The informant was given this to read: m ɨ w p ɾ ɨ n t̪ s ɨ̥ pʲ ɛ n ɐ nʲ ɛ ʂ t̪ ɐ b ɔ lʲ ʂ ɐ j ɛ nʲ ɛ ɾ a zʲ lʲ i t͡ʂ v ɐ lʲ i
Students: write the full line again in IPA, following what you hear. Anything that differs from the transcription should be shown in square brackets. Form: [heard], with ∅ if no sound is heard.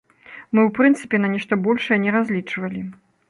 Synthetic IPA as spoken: m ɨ w p ɾ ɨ n t̪ s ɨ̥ pʲ ɛ n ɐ nʲ ɛ ʂ t̪ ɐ b ɔ lʲ ʂ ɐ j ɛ nʲ ɛ ɾ a zʲ lʲ i t͡ʂ v ɐ lʲ i